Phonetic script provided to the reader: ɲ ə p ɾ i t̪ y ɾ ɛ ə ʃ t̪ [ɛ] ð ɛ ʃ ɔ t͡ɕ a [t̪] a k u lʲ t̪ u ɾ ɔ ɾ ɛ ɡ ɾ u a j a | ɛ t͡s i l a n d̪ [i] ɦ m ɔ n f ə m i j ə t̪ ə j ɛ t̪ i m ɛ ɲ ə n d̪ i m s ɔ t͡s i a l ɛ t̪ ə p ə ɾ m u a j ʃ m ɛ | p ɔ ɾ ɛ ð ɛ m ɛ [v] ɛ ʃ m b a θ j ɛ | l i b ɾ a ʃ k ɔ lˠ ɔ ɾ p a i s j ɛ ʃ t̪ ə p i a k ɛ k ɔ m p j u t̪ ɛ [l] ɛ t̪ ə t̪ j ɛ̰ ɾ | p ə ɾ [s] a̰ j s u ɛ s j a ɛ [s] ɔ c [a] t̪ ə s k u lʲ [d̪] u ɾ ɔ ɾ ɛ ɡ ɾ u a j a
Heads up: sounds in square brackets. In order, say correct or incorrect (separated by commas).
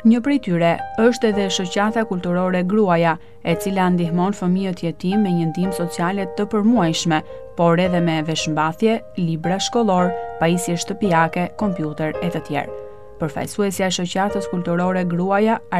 correct, correct, correct, correct, incorrect, incorrect, incorrect, correct, incorrect